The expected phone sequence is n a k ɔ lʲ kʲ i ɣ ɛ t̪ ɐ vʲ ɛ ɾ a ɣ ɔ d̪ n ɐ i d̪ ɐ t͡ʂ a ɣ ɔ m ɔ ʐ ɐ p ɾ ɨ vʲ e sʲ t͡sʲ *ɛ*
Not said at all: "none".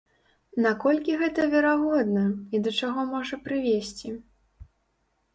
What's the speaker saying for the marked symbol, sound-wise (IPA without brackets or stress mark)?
i